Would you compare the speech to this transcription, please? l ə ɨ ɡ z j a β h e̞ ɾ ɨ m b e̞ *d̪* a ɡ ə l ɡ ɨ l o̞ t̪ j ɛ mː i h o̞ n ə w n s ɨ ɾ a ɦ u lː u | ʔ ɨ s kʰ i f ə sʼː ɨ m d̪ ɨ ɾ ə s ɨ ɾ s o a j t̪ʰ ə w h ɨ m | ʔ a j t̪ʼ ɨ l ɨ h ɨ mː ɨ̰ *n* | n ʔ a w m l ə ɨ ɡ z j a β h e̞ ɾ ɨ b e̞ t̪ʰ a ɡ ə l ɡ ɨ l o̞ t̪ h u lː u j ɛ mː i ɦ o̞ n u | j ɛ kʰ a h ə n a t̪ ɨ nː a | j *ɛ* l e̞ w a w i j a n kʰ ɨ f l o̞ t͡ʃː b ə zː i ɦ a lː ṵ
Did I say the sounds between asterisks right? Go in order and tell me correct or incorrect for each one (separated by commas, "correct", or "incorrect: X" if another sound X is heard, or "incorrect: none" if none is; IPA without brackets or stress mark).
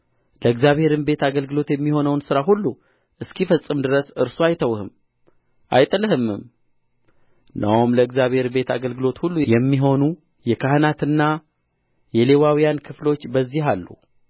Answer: incorrect: t̪, incorrect: m, correct